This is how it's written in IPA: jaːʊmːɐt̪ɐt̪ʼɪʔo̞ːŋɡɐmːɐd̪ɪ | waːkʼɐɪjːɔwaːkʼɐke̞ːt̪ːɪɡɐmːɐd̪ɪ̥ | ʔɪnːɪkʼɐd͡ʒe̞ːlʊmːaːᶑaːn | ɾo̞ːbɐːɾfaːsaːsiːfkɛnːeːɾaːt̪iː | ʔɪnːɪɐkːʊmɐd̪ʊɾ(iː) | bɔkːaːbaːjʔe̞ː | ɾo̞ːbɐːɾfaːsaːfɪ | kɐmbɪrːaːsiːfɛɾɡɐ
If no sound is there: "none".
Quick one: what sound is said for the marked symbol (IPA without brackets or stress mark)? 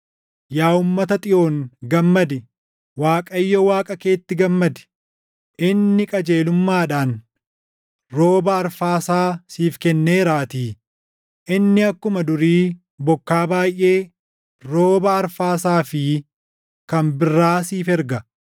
iː